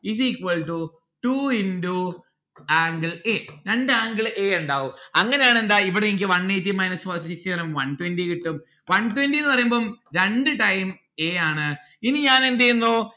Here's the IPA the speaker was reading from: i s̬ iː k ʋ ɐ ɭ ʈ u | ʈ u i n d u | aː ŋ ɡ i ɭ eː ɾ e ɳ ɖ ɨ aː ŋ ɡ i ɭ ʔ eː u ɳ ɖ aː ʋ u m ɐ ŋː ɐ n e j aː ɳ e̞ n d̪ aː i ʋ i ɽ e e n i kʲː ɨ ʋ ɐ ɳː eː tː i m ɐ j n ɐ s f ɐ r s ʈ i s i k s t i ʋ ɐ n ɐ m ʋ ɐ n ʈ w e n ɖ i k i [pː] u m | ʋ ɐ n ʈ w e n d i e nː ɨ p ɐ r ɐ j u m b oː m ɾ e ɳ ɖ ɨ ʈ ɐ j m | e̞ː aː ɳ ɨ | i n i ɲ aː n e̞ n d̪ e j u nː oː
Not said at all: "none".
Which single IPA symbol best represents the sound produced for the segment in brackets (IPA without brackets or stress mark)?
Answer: ʈː